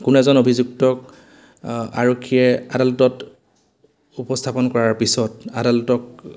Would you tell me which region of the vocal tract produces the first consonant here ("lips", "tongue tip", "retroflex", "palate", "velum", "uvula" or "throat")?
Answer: velum